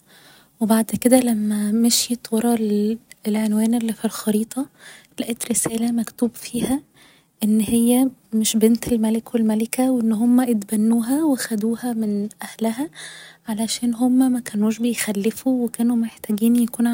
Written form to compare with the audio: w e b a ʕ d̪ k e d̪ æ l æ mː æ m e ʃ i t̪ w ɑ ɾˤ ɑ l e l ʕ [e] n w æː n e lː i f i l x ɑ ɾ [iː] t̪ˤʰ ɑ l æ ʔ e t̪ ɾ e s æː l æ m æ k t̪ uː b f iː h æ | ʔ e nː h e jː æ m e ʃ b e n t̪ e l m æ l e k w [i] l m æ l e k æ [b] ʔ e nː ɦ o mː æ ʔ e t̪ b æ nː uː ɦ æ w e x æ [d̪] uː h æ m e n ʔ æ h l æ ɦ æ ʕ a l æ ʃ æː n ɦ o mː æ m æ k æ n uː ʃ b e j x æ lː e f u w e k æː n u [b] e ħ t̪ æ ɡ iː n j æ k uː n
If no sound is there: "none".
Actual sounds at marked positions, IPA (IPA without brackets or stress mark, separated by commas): e, iː, e, w, d̪, m